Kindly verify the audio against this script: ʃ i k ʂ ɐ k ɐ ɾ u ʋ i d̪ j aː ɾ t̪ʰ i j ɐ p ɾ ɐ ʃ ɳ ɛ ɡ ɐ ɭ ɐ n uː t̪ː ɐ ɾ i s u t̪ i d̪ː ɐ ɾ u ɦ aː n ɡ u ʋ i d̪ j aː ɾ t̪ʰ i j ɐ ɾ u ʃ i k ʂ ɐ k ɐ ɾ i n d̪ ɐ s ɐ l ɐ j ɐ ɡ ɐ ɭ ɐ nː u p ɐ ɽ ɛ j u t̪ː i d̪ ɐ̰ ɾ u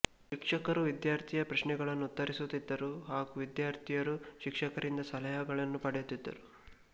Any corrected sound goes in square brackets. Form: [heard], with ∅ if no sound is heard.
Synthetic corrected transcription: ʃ i k ʂ ɐ k ɐ ɾ u ʋ i d̪ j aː ɾ t̪ʰ i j ɐ p ɾ ɐ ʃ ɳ ɛ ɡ ɐ ɭ ɐ [nː] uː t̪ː ɐ ɾ i s u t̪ i d̪ː ɐ ɾ u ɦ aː [∅] ɡ u ʋ i d̪ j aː ɾ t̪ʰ i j ɐ ɾ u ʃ i k ʂ ɐ k ɐ ɾ i n d̪ ɐ s ɐ l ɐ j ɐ ɡ ɐ ɭ ɐ nː u p ɐ ɽ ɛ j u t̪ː i [d̪ː] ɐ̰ ɾ u